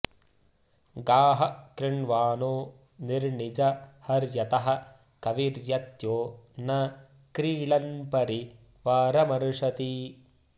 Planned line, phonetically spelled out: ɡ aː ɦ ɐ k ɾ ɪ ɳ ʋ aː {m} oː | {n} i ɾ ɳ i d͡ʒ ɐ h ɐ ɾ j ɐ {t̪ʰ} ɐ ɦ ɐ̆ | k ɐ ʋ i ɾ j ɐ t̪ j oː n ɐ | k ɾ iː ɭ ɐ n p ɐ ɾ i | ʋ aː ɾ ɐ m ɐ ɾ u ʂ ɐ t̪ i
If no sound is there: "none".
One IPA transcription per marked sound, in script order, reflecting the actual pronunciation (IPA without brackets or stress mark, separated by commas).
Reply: n, n, t̪